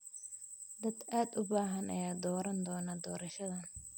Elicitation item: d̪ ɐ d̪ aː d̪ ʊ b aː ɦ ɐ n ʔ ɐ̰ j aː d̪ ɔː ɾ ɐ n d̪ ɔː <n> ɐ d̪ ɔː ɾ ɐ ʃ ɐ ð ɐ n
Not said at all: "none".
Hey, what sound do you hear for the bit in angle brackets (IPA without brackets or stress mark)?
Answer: n